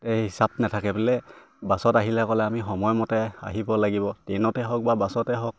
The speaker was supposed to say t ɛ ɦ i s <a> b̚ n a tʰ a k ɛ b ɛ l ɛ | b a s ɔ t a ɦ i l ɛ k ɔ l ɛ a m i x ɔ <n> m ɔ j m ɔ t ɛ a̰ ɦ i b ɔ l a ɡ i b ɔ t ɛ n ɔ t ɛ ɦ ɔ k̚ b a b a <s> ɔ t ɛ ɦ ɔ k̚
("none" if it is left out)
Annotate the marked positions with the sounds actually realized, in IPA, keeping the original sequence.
a, none, s

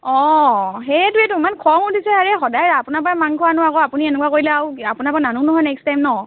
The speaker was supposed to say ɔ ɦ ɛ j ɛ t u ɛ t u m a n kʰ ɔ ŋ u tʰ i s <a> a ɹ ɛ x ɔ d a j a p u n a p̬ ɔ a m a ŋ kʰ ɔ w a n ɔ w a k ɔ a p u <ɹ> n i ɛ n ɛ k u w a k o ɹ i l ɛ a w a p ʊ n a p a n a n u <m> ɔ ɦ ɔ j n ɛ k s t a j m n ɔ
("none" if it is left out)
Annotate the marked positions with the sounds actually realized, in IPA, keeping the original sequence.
ɛ, none, n

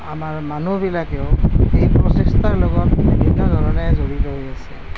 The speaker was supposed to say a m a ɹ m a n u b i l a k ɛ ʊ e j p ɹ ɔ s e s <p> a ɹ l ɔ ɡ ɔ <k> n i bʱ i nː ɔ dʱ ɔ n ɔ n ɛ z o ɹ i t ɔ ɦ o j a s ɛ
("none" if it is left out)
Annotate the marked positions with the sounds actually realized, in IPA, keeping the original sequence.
t, t

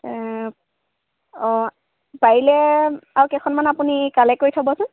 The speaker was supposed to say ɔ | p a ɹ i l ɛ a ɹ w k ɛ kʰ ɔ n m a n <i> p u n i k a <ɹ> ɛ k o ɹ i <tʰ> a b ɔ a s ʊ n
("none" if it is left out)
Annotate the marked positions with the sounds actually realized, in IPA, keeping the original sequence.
a, l, tʰ

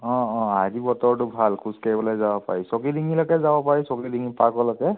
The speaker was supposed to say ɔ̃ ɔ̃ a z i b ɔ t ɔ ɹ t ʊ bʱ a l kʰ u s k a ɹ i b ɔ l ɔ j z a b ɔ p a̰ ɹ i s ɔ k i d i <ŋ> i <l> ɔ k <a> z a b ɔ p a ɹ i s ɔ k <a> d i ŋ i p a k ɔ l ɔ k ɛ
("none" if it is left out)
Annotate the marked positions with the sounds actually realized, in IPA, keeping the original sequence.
ŋ, l, ɛ, i

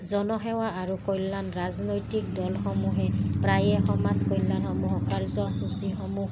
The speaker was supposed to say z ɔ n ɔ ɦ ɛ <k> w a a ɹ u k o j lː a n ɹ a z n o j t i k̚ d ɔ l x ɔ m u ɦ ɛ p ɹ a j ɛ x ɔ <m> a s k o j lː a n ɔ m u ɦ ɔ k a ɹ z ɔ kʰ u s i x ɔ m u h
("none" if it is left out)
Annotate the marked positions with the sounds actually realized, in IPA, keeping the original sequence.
none, m

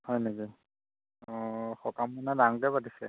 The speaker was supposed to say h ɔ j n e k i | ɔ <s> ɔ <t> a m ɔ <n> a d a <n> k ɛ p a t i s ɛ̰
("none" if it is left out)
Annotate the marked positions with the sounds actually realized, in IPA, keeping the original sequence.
x, k, n, ŋ

